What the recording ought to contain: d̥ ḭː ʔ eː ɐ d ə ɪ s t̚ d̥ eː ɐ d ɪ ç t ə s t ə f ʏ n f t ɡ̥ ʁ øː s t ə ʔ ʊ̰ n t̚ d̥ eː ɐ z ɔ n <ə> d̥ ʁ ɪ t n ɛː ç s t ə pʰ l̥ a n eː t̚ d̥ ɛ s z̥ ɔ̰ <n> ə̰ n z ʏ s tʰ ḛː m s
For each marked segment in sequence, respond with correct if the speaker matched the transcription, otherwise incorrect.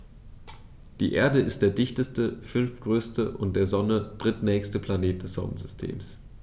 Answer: correct, correct

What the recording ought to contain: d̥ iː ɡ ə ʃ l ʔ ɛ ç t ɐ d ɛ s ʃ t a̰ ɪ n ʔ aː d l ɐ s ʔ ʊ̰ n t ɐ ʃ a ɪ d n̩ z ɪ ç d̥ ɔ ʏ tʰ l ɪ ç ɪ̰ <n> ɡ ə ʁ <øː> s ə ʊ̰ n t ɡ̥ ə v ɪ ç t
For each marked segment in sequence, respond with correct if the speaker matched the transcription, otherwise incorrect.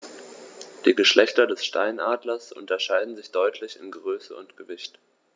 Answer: correct, correct

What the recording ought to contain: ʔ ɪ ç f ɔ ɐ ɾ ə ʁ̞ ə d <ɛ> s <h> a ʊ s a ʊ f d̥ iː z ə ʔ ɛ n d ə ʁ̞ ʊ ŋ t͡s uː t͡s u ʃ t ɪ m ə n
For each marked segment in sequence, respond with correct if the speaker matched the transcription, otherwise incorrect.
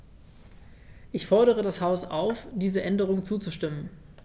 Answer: incorrect: a, correct

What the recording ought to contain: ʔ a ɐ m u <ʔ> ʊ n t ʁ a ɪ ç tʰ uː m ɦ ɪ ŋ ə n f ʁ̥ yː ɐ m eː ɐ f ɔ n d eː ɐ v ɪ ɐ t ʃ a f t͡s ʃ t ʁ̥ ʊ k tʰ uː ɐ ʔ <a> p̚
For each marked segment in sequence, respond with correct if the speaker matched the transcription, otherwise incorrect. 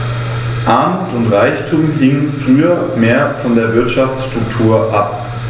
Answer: incorrect: t, correct

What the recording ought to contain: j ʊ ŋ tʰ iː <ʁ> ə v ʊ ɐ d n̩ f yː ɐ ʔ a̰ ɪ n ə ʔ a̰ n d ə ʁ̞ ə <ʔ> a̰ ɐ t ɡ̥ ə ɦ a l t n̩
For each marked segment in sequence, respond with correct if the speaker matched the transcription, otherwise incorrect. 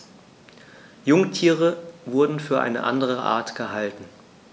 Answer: correct, correct

